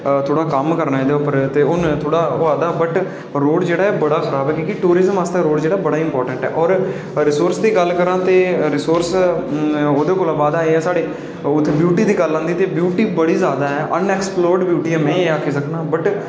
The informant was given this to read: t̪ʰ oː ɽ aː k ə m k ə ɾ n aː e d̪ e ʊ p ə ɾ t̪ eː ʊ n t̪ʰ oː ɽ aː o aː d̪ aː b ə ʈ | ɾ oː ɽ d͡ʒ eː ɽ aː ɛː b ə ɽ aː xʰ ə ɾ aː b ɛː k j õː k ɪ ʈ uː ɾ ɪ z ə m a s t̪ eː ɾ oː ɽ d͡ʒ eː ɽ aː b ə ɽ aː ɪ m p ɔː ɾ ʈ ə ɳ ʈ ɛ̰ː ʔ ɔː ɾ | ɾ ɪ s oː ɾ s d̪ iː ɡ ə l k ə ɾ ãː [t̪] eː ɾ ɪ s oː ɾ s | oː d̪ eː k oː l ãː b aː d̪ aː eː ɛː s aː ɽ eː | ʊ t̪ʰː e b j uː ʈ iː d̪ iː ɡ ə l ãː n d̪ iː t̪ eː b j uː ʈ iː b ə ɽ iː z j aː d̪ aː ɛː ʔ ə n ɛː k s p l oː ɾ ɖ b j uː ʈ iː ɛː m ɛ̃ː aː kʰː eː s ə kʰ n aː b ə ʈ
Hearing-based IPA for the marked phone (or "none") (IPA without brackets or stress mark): t̪